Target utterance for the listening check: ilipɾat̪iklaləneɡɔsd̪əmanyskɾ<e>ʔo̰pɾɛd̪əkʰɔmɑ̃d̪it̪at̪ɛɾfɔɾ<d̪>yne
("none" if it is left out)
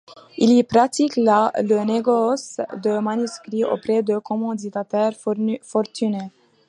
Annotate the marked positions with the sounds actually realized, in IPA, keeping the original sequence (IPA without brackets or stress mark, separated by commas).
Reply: i, t̪